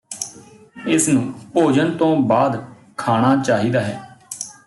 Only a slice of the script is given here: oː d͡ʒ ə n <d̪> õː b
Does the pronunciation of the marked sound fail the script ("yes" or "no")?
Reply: yes